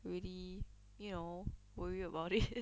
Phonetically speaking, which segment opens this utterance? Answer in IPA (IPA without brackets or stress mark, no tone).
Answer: ɹ